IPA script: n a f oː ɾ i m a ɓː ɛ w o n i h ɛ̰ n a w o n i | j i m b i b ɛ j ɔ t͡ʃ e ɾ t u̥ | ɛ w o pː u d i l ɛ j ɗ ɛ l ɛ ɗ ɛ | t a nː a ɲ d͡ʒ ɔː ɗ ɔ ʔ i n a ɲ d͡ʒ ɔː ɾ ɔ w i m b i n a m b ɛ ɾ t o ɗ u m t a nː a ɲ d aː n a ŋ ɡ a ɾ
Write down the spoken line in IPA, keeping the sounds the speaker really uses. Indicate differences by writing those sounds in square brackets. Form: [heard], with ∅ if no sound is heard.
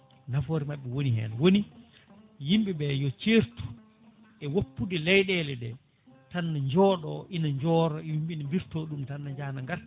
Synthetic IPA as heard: n a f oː ɾ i m a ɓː ɛ w o n i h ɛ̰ n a w o n i | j i m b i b ɛ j ɔ t͡ʃ e ɾ t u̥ | ɛ w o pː u d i l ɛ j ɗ ɛ l ɛ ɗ ɛ | t a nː a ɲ d͡ʒ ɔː ɗ ɔ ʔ i n a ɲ d͡ʒ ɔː ɾ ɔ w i m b i n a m b [i] ɾ t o ɗ u m t a nː a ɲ [d͡ʒ] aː n a ŋ ɡ a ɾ